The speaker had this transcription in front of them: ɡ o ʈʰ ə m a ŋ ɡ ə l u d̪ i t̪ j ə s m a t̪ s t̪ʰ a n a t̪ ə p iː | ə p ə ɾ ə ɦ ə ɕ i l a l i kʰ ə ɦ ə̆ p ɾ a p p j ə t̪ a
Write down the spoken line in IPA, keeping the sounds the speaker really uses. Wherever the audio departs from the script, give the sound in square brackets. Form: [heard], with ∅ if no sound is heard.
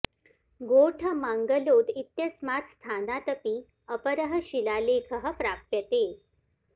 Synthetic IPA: ɡ o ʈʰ ə m a ŋ ɡ ə l [o] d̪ i t̪ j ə s m a t̪ s t̪ʰ a n a t̪ ə p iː | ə p ə ɾ ə ɦ ə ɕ i l a l [e] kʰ ə ɦ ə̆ p ɾ a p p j ə t̪ [e]